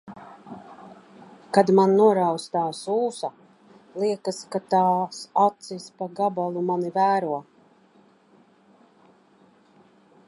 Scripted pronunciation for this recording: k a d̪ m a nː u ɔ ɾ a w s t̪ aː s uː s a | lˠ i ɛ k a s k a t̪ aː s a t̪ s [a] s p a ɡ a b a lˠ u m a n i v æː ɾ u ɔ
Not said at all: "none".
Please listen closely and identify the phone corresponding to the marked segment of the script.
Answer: i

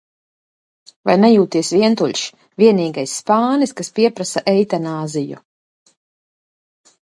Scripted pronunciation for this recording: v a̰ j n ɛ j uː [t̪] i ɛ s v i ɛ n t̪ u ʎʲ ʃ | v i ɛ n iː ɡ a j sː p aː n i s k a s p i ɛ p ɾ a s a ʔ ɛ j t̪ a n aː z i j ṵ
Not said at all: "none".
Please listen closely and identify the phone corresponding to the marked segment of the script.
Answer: t̪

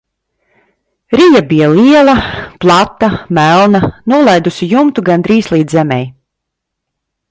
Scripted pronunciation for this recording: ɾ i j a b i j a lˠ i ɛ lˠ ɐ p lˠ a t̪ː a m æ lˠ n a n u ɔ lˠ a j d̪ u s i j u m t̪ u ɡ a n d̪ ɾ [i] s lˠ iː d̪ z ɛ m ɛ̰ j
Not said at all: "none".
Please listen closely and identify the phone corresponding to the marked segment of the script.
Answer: iː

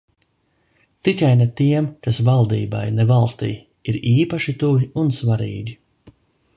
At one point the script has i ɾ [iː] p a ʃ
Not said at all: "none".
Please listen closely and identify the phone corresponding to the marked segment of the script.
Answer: iː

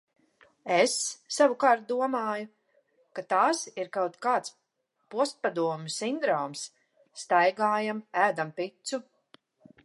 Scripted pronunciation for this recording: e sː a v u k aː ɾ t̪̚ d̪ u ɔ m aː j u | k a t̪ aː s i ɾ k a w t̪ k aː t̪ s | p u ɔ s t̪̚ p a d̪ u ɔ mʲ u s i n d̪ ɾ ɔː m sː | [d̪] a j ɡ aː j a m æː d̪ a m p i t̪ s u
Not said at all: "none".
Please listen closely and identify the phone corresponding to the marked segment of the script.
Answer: t̪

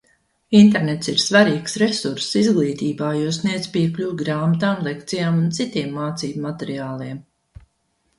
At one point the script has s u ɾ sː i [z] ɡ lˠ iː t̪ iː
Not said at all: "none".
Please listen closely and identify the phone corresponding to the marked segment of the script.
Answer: z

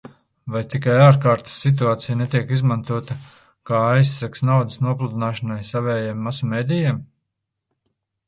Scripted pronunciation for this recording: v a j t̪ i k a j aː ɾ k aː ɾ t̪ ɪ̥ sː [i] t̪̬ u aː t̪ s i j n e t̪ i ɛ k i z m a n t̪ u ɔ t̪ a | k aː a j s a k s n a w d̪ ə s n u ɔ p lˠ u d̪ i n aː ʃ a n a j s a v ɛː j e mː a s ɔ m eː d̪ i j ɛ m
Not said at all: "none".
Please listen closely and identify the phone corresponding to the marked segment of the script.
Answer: i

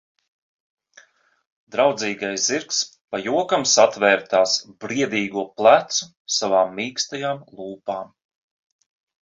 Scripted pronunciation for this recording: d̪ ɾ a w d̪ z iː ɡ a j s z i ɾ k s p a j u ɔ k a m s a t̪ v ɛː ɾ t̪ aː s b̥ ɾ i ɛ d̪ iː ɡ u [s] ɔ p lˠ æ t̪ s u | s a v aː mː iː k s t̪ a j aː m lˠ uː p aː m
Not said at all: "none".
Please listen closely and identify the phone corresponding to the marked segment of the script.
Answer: none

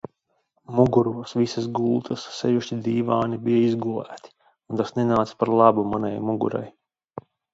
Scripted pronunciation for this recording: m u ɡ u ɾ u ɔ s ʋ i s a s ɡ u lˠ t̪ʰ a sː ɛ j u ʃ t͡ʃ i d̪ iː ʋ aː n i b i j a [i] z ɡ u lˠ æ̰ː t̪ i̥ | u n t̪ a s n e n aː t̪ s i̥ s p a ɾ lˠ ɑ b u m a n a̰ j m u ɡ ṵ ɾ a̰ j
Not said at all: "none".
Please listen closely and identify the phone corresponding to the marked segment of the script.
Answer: i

